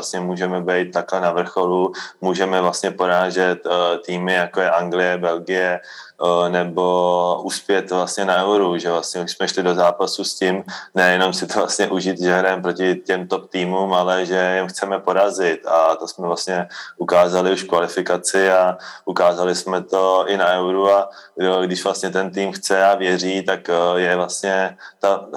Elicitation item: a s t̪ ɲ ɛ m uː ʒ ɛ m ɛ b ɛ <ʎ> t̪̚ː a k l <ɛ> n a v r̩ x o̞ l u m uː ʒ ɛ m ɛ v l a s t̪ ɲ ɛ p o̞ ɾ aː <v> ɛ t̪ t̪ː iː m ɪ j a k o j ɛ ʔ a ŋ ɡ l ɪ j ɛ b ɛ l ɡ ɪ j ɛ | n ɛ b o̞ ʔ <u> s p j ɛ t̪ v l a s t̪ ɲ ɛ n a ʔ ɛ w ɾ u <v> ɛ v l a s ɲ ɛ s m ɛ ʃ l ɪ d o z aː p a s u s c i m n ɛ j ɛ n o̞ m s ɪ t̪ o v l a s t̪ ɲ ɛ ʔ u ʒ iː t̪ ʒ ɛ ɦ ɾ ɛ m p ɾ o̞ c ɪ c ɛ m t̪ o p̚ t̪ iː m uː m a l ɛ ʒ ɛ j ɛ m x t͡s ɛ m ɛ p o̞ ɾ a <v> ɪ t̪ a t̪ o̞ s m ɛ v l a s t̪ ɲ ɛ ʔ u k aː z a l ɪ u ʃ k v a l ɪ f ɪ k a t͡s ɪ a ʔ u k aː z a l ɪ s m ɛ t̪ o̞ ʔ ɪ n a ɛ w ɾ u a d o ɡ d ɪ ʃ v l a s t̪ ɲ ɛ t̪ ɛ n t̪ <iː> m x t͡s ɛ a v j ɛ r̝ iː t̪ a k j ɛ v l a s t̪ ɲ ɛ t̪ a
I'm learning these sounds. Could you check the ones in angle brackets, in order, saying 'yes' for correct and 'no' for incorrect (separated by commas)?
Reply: no, yes, no, yes, no, no, yes